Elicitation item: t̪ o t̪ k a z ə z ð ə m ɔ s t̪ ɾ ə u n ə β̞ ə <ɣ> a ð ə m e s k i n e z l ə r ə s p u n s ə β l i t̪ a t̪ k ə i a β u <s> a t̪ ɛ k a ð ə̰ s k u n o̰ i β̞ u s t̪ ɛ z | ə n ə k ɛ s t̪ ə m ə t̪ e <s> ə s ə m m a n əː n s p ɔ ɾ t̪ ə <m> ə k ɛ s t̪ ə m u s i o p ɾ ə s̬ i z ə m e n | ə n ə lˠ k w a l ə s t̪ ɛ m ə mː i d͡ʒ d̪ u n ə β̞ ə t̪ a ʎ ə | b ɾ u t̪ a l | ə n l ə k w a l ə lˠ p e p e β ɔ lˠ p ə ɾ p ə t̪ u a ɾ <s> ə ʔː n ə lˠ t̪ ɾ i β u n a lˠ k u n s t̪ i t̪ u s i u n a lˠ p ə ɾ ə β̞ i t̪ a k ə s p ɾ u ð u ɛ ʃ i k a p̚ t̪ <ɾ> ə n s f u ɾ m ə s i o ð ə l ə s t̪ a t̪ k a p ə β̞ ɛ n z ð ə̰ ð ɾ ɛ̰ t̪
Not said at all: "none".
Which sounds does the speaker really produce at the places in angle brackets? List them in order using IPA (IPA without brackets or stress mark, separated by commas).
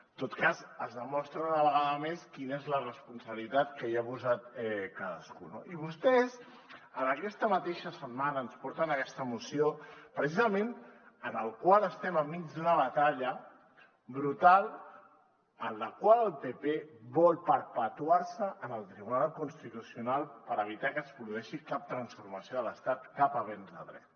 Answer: ɣ, z, ʃ, n, s, ɾ